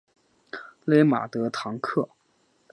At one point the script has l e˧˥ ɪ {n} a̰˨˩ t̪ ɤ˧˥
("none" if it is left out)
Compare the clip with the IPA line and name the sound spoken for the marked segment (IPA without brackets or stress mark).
m